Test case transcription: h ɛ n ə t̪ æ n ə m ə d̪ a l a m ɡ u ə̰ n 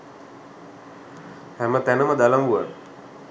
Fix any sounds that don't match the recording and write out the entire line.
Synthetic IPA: h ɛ m ə t̪ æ n ə m ə d̪ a l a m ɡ u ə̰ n